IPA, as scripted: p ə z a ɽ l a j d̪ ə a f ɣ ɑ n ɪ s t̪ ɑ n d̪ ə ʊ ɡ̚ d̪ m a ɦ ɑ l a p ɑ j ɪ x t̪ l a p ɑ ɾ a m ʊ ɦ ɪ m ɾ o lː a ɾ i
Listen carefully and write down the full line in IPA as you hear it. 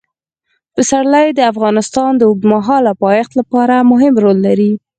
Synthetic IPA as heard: p ə s a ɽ l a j d̪ ə a f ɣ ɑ n ɪ s t̪ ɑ n d̪ ə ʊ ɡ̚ d̪ m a ɦ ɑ l a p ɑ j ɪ x t̪ l a p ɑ ɾ a m ʊ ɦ ɪ m ɾ o lː a ɾ i